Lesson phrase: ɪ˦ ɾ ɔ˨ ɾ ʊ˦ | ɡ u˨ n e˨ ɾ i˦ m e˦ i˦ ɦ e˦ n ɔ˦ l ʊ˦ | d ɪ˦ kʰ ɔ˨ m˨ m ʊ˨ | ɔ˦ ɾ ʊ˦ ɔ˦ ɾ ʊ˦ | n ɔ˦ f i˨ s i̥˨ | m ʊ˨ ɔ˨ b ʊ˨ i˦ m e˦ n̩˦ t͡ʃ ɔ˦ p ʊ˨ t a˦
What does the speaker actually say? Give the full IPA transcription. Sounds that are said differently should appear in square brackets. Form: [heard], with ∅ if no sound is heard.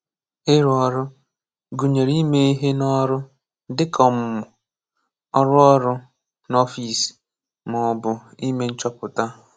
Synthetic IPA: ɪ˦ ɾ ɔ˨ ɾ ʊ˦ | ɡ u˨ [ɲ] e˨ ɾ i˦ m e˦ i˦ ɦ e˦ n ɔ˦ [ɾ] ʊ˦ | d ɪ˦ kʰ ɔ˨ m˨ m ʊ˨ | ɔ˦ ɾ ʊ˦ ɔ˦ ɾ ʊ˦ | n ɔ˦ f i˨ s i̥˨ | m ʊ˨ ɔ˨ b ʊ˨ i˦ m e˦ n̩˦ t͡ʃ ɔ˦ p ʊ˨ t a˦